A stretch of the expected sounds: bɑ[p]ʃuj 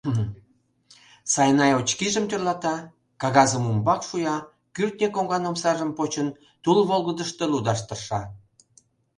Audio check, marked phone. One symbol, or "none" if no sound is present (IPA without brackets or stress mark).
k